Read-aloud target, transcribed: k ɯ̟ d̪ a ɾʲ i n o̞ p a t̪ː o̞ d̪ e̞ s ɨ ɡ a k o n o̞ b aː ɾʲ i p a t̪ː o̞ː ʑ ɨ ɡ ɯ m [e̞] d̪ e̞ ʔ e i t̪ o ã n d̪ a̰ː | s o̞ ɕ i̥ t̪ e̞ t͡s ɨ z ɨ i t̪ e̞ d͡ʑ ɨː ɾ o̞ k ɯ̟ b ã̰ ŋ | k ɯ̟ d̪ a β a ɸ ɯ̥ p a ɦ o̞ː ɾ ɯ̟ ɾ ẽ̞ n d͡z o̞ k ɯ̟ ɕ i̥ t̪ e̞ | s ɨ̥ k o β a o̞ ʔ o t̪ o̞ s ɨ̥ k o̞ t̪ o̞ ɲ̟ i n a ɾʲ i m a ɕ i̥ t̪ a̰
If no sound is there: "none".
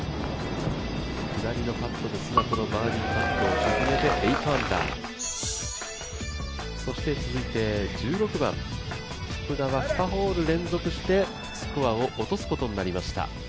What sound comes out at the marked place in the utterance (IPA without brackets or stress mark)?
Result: e̞